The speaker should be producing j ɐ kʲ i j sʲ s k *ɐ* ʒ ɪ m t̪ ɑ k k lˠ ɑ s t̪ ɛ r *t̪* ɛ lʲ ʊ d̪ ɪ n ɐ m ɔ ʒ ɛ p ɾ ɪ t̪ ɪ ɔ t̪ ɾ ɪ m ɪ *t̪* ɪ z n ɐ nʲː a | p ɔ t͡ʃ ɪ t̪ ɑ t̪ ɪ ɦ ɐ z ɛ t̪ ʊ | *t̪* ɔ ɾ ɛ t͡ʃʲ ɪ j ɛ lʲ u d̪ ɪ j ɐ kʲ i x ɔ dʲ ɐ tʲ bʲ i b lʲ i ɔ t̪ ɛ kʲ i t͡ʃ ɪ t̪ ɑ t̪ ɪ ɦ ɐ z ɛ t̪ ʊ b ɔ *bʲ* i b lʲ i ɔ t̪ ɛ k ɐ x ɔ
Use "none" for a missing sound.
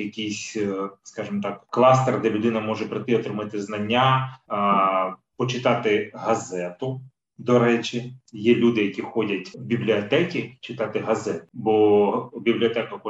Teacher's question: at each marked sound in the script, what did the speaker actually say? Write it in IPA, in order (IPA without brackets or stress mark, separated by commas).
ɑ, d̪, t̪, d̪, bʲ